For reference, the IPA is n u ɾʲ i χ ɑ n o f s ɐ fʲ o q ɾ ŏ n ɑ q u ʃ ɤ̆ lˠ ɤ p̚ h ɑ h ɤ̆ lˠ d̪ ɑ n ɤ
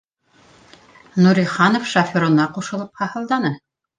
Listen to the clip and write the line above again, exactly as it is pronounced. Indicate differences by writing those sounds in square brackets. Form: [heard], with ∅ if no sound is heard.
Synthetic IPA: n u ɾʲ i χ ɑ n o f [ʃ] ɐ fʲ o [∅] ɾ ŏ n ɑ q u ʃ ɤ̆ lˠ ɤ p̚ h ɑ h ɤ̆ lˠ d̪ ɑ n ɤ